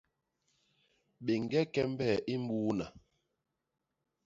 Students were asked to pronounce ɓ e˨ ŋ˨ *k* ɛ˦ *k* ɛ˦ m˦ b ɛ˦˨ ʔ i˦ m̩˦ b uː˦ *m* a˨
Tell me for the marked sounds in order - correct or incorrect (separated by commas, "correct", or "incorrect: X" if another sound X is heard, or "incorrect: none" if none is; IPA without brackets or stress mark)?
incorrect: ɡ, correct, incorrect: n